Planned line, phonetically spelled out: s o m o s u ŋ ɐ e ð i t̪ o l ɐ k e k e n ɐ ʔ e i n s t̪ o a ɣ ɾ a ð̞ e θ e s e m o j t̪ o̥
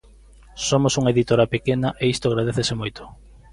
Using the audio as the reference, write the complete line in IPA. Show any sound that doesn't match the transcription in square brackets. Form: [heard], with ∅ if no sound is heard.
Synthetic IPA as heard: s o m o s u ŋ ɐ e ð i t̪ o [ɾ] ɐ [p] e k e n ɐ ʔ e i [∅] s t̪ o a ɣ ɾ a ð̞ e θ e s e m o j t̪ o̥

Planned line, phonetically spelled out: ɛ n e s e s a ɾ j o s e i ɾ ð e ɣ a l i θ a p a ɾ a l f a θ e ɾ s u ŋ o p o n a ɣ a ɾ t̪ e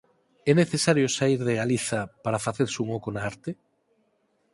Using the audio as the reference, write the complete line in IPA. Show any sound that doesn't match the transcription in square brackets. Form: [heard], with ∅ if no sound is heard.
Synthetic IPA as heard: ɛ n e [θ] e s a ɾ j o s [a] i ɾ ð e ɣ a l i θ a p a ɾ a [∅] f a θ e ɾ s u ŋ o [k] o n a [∅] a ɾ t̪ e

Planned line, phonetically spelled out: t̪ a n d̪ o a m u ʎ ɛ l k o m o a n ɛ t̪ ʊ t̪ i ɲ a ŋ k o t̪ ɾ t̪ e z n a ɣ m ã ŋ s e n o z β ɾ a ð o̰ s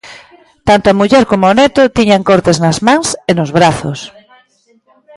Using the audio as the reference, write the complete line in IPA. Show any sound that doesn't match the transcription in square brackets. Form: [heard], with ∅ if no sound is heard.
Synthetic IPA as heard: t̪ a n [t̪] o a m u ʎ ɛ [ɾ] k o m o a n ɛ t̪ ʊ t̪ i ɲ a ŋ k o [∅] ɾ t̪ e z n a [z] m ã ŋ s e n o z β ɾ a [θ] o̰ s

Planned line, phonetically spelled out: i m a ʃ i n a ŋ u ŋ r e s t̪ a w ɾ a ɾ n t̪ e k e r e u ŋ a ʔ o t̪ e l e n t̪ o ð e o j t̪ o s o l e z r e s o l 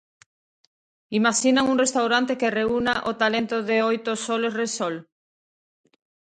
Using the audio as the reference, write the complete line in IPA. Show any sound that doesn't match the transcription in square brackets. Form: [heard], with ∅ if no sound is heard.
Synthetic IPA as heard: i m a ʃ i n a ŋ u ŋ r e s t̪ a w ɾ a [∅] n t̪ e k e r e u [n] a ʔ o t̪ [a] l e n t̪ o ð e o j t̪ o s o l e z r e s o l

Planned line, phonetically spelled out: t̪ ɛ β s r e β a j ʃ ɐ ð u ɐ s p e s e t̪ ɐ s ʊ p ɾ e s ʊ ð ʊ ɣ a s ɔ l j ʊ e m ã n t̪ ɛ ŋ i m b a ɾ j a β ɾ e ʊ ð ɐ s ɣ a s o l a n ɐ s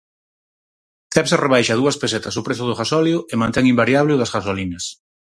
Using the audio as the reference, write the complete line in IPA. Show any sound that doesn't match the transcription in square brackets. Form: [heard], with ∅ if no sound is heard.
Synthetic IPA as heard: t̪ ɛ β s r e β a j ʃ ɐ ð u ɐ s p e s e t̪ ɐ s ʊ p ɾ e s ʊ ð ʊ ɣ a s ɔ l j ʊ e m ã n t̪ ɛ ŋ i m b a ɾ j a β [l] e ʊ ð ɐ s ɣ a s o l [i] n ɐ s

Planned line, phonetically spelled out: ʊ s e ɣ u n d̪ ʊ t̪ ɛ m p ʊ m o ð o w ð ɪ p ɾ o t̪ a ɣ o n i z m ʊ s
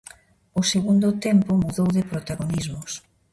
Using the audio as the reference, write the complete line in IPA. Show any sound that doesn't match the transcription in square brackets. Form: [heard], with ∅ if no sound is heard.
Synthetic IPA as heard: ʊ s e ɣ u n d̪ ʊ t̪ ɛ m p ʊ m [u] ð o w ð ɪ p ɾ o t̪ a ɣ o n i z m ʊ s

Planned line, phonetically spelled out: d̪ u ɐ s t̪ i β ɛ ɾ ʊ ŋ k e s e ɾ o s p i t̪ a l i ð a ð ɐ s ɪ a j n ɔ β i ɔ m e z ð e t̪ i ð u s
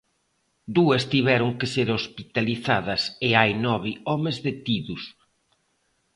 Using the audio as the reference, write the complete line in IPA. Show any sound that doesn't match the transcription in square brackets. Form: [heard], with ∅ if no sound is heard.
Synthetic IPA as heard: d̪ u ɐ s t̪ i β ɛ ɾ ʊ ŋ k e s e ɾ o s p i t̪ a l i [θ] a ð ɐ s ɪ a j n ɔ β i ɔ m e z ð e t̪ i ð u s

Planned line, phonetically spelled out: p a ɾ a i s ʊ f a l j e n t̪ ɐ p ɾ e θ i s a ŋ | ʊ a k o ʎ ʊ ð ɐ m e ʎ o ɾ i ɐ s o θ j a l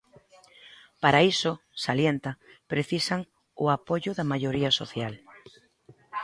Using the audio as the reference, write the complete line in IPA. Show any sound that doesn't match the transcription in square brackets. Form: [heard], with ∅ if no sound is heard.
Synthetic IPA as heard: p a ɾ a i s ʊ [s] a l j e n t̪ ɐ p ɾ e θ i s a ŋ | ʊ a [p] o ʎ ʊ ð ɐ m [a] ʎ o ɾ i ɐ s o θ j a l

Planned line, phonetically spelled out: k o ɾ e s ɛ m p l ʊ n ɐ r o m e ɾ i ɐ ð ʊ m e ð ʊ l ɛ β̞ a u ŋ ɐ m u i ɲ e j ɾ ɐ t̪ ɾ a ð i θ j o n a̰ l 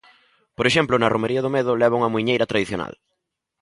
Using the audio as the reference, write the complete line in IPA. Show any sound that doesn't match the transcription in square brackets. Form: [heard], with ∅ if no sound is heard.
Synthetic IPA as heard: [p] o ɾ e [ʃ] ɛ m p l ʊ n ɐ r o m e ɾ i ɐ ð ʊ m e ð ʊ l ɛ β̞ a u ŋ ɐ m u i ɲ e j ɾ ɐ t̪ ɾ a ð i θ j o n a̰ l

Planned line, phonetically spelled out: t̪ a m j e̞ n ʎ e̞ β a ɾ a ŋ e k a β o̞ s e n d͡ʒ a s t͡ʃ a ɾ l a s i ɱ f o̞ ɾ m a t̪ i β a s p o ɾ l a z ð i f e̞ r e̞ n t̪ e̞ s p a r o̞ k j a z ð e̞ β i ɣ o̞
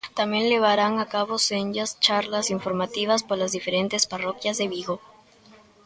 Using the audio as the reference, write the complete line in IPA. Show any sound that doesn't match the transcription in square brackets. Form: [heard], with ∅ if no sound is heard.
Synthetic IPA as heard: t̪ a m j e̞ n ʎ e̞ β a ɾ a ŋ [a] k a β o̞ s e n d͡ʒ a s t͡ʃ a ɾ l a s i ɱ f o̞ ɾ m a t̪ i β a s p o ɾ l a z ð i f e̞ [ɾ] e̞ n t̪ e̞ s p a r o̞ k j a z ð e̞ β i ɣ o̞

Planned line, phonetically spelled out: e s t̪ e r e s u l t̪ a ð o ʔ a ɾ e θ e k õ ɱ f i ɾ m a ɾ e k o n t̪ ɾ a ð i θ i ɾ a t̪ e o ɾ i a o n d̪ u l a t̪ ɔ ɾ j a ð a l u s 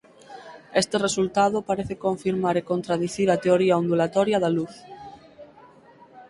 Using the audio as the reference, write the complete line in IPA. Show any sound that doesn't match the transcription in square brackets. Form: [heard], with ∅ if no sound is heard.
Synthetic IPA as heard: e s t̪ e r e s u l t̪ a ð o [p] a ɾ e θ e k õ ɱ f i ɾ m a ɾ e k o n t̪ ɾ a ð i θ i ɾ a t̪ e o ɾ i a o n d̪ u l a t̪ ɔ ɾ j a ð a l u [θ]

